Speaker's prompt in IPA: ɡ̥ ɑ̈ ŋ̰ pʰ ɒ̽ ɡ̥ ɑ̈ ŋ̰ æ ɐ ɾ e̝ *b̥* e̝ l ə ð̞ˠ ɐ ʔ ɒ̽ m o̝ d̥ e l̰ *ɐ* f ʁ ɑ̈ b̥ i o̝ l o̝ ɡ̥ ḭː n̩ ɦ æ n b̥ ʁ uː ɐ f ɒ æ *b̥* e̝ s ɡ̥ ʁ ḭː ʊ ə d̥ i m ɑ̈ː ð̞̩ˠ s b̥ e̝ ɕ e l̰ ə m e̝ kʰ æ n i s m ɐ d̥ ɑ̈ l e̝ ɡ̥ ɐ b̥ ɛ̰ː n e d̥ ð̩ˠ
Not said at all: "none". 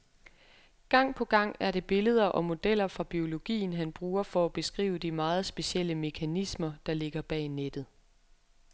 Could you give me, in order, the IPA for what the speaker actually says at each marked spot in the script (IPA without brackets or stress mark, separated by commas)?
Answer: b̥, ɐ, b̥